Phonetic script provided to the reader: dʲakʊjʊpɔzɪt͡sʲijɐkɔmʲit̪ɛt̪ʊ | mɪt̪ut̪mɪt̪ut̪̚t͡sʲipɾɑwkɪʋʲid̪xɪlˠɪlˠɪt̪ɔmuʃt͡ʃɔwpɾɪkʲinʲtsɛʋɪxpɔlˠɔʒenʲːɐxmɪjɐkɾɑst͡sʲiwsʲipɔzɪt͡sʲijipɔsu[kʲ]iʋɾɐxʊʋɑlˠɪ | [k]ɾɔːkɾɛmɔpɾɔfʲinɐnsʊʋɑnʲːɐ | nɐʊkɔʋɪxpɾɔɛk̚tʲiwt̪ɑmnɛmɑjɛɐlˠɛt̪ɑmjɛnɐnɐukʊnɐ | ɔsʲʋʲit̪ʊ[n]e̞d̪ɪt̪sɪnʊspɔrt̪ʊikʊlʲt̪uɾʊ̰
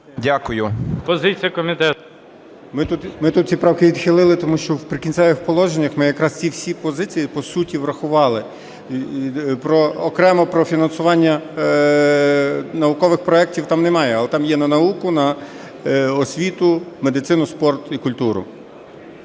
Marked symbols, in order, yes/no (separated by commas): no, no, no